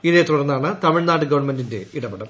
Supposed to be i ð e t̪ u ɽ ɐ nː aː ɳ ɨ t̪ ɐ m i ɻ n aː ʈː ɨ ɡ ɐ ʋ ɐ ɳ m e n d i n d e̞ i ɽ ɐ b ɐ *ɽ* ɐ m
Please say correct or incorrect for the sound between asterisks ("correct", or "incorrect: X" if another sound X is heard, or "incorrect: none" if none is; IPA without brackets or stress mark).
correct